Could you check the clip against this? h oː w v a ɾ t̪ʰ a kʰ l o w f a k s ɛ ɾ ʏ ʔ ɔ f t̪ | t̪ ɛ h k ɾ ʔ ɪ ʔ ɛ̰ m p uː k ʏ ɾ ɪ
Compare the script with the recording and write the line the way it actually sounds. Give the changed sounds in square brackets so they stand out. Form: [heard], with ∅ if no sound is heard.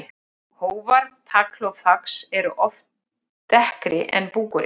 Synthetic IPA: h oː w v a ɾ t̪ʰ a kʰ l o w f a k s ɛ ɾ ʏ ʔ ɔ f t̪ | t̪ ɛ h k ɾ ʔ ɪ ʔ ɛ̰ [n] p uː k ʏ ɾ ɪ